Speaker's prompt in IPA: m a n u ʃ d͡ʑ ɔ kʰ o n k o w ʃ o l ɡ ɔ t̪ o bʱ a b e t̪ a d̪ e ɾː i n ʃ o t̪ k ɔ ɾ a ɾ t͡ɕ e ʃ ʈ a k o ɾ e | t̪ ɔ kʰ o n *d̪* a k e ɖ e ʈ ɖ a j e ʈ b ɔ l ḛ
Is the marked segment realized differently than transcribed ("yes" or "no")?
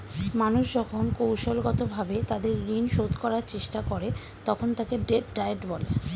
yes